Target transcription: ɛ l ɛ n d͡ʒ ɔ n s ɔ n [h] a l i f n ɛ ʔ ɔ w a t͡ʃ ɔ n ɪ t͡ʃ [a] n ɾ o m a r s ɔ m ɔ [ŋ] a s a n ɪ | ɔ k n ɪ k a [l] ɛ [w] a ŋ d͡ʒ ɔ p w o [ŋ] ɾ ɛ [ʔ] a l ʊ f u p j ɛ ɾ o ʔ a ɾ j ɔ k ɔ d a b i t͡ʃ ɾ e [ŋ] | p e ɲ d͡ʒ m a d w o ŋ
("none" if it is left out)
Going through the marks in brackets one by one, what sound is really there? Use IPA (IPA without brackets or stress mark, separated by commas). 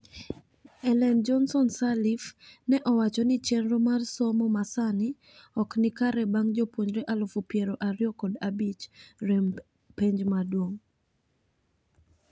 s, ɛ, m, ɾ, b, ɲ, ʔ, m